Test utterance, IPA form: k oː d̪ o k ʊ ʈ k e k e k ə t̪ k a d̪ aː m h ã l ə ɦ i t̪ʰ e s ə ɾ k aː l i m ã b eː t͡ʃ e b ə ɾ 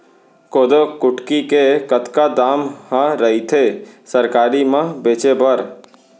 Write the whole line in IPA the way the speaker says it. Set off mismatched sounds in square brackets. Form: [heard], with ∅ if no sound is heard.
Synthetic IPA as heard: k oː d̪ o k ʊ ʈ k [i] k e k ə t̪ k a d̪ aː m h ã [ɾ] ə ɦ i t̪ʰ e s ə ɾ k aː [ɾ] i m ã b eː t͡ʃ e b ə ɾ

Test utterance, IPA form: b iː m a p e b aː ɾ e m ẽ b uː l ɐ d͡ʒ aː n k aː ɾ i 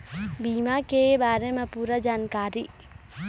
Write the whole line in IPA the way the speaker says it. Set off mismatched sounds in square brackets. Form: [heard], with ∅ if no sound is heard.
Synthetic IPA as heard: b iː m a [k] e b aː ɾ e m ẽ [p] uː [ɾ] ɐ d͡ʒ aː n k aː ɾ i

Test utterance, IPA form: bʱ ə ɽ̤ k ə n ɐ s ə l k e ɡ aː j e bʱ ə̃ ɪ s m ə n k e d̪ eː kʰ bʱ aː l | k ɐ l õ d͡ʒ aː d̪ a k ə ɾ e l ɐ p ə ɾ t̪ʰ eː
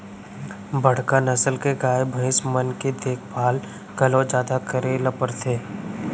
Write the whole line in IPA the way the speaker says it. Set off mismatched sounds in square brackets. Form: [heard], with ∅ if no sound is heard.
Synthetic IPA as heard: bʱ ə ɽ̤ k [a] n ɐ s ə l k e ɡ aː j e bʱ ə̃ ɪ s m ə n k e d̪ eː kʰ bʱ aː l | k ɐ l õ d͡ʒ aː d̪ a k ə ɾ e l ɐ p ə ɾ t̪ʰ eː

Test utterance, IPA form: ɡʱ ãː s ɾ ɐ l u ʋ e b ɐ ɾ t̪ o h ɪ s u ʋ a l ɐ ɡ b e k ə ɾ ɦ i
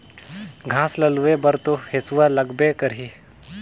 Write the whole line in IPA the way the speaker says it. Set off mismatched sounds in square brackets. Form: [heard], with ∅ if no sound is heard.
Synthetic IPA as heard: ɡʱ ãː s [l] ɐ l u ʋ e b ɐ ɾ t̪ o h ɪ s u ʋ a l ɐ ɡ b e k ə ɾ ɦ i

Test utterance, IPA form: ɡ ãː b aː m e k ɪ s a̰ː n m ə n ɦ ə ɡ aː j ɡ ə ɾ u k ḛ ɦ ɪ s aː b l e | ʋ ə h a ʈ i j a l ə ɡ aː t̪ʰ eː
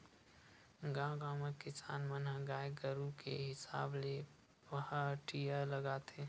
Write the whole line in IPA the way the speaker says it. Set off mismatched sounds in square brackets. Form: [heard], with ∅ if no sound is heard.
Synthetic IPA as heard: ɡ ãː [ɡ] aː m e k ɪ s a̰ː n m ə n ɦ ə ɡ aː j ɡ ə ɾ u k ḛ ɦ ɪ s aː b l e | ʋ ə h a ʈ i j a l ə ɡ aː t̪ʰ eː

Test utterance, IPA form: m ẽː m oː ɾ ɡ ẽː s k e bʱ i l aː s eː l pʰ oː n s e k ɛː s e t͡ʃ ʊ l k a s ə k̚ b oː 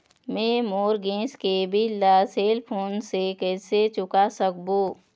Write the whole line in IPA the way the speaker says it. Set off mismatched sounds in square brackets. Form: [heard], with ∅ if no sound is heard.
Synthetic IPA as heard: m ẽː m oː ɾ ɡ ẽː s k e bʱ i l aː s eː l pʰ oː n s e k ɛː s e t͡ʃ ʊ [∅] k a s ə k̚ b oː

